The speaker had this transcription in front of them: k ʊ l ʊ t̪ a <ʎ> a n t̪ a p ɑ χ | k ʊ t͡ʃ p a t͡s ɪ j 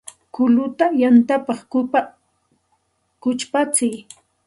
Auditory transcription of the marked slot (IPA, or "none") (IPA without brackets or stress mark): j